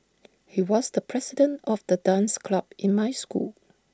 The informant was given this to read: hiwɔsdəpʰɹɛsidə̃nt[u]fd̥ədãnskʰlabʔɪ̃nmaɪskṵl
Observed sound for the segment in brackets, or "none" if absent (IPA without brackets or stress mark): ɔ